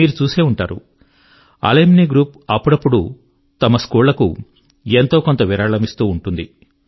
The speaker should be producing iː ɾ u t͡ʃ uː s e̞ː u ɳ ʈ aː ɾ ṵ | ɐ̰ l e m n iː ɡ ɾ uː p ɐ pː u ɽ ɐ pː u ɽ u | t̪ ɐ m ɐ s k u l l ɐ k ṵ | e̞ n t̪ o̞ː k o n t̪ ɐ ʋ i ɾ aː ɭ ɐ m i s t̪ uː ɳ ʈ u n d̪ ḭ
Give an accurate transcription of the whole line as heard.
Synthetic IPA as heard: iː ɾ u t͡ʃ uː s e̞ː u ɳ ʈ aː ɾ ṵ | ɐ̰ l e m n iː ɡ ɾ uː p ɐ pː u ɽ ɐ pː u ɽ u | t̪ ɐ m ɐ s k uː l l ɐ k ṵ | e̞ n t̪ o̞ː k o n t̪ ɐ ʋ i ɾ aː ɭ ɐ m i s t̪ uː ɳ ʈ u n d̪ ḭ